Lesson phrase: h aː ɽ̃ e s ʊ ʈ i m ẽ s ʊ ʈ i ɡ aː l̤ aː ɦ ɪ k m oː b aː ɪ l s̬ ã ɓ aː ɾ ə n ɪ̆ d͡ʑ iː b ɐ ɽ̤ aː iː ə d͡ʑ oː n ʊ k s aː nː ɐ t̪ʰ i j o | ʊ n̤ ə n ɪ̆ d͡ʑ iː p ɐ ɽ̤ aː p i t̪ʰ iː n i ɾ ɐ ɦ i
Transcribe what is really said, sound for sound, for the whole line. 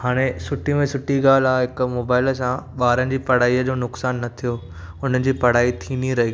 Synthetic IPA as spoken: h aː ɽ̃ e s ʊ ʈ i m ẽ s ʊ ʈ i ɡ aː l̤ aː ɦ ɪ k m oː b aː ɪ l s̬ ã ɓ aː ɾ ə n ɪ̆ d͡ʑ iː p ɐ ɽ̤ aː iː ə d͡ʑ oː n ʊ k s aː nː ɐ t̪ʰ i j o | ʊ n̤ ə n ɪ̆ d͡ʑ iː p ɐ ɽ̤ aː i t̪ʰ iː n i ɾ ɐ ɦ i

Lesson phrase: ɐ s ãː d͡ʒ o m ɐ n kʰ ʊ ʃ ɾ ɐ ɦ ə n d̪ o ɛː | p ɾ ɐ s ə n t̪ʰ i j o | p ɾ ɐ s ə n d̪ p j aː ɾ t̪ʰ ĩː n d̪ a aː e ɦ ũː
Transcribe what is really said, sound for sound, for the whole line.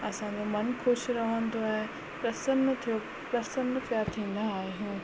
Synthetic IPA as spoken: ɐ s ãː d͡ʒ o m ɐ n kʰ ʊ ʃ ɾ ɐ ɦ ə n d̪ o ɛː | p ɾ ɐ s ə n t̪ʰ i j o | p ɾ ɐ s ə n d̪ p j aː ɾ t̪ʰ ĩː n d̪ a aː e ɦ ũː

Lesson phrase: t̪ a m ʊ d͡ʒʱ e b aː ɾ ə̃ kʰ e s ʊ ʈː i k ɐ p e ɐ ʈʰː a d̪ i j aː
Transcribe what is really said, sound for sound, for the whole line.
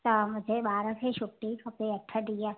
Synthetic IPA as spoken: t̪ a m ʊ d͡ʒʱ e b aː ɾ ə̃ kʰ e ʃ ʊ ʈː i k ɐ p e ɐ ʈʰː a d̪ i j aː

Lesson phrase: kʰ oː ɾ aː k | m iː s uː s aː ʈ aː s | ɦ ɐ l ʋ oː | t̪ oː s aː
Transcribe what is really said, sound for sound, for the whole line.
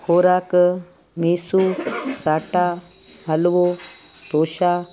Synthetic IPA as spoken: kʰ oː ɾ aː k | m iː s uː s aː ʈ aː | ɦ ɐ l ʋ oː | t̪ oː ʃ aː

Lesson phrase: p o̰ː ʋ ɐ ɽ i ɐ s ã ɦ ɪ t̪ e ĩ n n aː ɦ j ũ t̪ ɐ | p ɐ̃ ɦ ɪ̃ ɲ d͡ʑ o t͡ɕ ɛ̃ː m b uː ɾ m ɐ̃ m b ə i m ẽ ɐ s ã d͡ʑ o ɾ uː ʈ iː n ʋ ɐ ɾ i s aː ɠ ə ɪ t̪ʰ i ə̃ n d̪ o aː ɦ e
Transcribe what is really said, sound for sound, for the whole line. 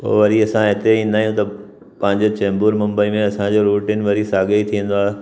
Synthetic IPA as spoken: p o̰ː ʋ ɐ ɾ i ɐ s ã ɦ ɪ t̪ e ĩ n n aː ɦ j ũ t̪ ɐ | p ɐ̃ ɦ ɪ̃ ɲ d͡ʑ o t͡ɕ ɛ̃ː m b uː ɾ m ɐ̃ m b ə i m ẽ ɐ s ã d͡ʑ o ɾ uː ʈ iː n ʋ ɐ ɾ i s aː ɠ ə i t̪ʰ i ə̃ n d̪ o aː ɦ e

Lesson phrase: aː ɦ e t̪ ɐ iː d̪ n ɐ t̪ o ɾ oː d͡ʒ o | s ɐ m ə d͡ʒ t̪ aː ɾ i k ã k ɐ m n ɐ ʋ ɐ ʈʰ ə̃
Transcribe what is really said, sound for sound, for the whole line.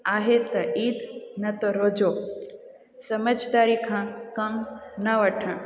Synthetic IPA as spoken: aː ɦ e t̪ ɐ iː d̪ n ɐ t̪ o ɾ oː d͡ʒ o | s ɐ m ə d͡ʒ d̪ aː ɾ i kʰ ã k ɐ m n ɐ ʋ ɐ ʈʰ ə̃

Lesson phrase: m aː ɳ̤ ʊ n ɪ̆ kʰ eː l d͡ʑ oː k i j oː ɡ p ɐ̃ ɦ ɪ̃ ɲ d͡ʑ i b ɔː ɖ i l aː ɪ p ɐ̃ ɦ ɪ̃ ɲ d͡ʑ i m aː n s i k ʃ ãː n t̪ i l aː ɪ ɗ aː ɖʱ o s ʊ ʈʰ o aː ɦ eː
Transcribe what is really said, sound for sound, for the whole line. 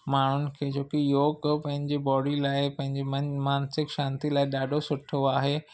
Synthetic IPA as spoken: m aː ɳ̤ ʊ n ɪ̆ kʰ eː d͡ʑ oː k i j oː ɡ p ɐ̃ ɦ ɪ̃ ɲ d͡ʑ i b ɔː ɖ i l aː ɪ p ɐ̃ ɦ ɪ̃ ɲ d͡ʑ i m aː n s ɪ k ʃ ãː n t̪ i l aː ɪ ɗ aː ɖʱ o s ʊ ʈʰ o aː ɦ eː

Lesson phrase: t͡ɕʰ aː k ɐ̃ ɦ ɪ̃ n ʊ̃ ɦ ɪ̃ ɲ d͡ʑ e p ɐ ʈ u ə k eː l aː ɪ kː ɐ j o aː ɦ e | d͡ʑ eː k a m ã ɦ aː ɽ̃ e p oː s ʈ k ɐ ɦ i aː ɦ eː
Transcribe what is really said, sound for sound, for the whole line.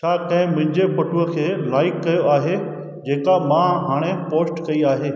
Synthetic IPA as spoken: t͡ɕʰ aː k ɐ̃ ɦ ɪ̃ m ʊ̃ ɦ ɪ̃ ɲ d͡ʑ e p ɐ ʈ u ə kʰ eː l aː ɪ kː ɐ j o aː ɦ e | d͡ʑ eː k a m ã ɦ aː ɽ̃ e p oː s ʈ k ɐ i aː ɦ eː

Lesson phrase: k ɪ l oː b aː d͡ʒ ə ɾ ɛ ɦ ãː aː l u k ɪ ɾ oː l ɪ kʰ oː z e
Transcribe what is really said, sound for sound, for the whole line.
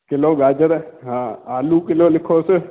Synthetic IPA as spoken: k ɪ l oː ɡ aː d͡ʒ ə ɾ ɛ ɦ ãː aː l u k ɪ l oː l ɪ kʰ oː s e

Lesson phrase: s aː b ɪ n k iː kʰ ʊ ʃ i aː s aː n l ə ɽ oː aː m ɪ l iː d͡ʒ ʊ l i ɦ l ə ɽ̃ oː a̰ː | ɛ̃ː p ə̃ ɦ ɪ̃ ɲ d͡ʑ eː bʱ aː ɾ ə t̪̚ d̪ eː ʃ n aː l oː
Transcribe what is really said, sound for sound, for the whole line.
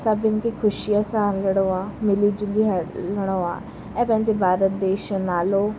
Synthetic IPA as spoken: s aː b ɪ n k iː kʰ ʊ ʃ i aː s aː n l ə ɽ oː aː m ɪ l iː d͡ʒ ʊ l i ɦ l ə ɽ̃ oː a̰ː | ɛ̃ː p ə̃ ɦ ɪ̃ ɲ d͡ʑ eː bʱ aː ɾ ə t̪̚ d̪ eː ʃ n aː l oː

